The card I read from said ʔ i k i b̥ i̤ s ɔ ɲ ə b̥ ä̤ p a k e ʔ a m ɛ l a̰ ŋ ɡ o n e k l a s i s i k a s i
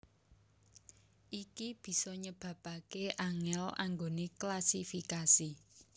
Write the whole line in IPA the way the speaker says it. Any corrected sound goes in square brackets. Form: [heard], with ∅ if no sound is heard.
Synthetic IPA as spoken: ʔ i k i b̥ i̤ s ɔ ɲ ə b̥ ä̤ p a k e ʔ a [ŋ] ɛ l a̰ ŋ ɡ o n e k l a s i [f] i k a s i